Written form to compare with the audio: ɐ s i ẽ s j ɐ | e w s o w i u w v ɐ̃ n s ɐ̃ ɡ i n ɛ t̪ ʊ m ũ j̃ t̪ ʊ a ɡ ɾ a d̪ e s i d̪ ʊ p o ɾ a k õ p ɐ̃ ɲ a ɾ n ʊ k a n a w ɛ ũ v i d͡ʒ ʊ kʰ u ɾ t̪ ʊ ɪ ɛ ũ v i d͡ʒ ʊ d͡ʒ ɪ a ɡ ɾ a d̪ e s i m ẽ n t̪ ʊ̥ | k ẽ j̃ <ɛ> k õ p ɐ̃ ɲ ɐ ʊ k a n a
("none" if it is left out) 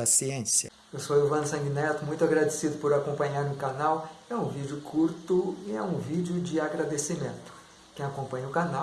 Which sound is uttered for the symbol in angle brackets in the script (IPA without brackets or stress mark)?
a